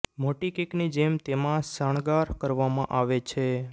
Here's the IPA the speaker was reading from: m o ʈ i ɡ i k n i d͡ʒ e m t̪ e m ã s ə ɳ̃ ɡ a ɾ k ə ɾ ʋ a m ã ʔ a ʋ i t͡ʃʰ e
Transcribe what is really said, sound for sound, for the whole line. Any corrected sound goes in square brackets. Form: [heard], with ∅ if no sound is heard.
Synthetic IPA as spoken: m o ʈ i [k] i k n i d͡ʒ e m t̪ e m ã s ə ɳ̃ ɡ a ɾ k ə ɾ ʋ a m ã ʔ a ʋ [e] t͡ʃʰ e